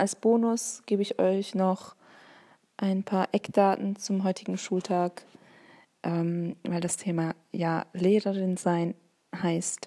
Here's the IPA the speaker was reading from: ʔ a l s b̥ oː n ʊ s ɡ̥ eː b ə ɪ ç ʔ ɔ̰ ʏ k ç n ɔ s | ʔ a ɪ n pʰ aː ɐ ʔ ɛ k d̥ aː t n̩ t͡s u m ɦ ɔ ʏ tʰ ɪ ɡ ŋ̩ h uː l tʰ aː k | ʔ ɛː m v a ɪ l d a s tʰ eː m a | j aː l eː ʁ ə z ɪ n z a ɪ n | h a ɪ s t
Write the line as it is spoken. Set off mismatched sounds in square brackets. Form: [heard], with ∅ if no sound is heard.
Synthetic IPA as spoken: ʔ a l s b̥ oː n ʊ s ɡ̥ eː b ə ɪ ç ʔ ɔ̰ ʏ [∅] ç n ɔ [χ] | ʔ a ɪ n pʰ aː ɐ ʔ ɛ k d̥ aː t n̩ t͡s [ʊ] m ɦ ɔ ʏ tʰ ɪ ɡ ŋ̩ [ʃ] uː l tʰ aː k | ʔ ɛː m v a ɪ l d a s tʰ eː m a | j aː l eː ʁ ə [ʁ] ɪ n z a ɪ n | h a ɪ s t